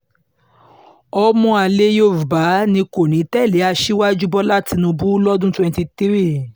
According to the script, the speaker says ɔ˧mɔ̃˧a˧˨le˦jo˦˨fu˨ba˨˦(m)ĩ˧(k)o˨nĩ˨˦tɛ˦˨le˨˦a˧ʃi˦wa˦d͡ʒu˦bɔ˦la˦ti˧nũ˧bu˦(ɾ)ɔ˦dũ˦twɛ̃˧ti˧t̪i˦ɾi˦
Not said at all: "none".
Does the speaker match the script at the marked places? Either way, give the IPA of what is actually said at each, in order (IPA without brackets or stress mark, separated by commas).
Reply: n, k, l